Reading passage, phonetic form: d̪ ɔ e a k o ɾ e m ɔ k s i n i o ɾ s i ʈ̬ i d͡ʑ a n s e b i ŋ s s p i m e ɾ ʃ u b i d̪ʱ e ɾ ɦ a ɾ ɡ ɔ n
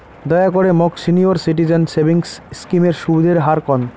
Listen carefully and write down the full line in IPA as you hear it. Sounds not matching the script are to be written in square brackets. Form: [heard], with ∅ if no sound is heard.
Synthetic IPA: d̪ ɔ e a k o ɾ e m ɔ k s i n i o ɾ s i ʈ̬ i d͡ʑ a n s e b i ŋ s s [k] i m e ɾ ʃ u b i d̪ʱ e ɾ ɦ a ɾ [k] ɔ n